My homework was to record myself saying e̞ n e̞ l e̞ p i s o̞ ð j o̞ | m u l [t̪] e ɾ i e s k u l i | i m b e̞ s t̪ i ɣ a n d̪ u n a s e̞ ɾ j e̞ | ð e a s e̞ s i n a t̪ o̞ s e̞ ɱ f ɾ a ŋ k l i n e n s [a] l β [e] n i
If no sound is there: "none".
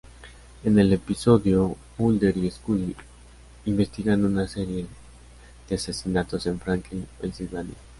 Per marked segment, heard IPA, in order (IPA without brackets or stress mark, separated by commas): d̪, i, a